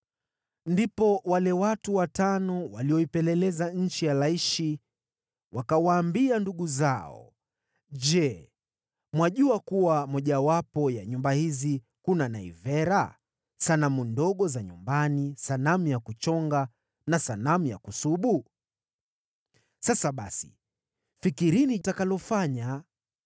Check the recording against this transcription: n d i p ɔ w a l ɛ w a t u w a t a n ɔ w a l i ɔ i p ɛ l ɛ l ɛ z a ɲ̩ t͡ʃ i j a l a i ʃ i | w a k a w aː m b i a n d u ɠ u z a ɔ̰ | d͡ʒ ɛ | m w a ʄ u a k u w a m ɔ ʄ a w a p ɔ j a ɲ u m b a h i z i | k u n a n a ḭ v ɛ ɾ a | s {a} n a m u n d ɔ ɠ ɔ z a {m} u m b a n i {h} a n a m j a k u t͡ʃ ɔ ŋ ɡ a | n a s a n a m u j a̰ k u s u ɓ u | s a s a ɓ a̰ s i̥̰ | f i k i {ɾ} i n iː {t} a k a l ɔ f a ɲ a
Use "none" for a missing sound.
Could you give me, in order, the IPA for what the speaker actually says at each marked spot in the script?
a, ɲ, s, ɾ, t

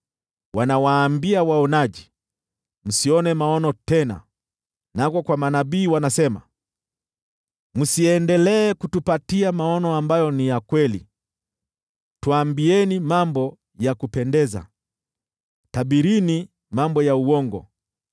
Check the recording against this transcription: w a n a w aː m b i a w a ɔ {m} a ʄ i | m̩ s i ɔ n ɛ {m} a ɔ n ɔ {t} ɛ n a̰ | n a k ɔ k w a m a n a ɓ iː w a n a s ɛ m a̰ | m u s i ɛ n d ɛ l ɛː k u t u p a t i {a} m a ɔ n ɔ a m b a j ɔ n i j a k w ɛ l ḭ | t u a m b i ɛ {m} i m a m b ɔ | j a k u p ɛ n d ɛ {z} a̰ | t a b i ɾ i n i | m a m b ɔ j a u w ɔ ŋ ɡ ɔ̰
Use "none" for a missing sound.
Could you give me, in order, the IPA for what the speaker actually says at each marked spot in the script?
n, m, t, a, n, z

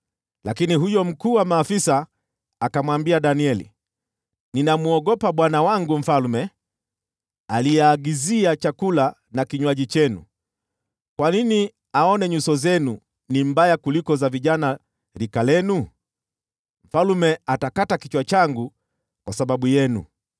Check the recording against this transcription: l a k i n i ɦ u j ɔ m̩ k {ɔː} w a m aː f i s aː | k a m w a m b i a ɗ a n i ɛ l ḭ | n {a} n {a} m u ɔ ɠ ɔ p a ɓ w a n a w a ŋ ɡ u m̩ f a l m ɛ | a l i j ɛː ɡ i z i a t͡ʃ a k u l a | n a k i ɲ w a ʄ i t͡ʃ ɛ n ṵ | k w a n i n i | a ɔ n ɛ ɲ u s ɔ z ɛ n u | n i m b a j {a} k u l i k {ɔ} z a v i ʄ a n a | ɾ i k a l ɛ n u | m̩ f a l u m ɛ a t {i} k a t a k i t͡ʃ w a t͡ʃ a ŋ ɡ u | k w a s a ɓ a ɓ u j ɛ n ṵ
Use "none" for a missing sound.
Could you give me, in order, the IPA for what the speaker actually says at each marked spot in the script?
uː, i, a, a, ɔ, a

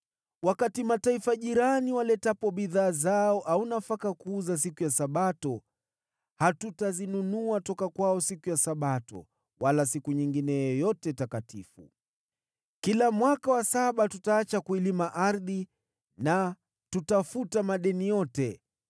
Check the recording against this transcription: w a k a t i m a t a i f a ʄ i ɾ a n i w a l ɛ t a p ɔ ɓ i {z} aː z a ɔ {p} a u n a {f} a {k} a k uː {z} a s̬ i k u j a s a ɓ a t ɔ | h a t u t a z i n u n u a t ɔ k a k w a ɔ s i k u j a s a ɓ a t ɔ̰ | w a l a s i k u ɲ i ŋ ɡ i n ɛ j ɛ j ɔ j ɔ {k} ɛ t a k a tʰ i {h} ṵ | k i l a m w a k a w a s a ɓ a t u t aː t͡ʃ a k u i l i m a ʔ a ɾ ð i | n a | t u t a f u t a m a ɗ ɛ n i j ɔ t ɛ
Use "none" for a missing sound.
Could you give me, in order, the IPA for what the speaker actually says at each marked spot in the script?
ð, ʔ, f, k, z, t, f

